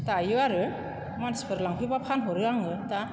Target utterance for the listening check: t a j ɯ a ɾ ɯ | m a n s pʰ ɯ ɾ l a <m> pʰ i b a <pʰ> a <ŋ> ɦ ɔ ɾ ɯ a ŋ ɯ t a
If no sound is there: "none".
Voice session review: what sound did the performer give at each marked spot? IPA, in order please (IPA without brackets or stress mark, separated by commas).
ŋ, pʰ, n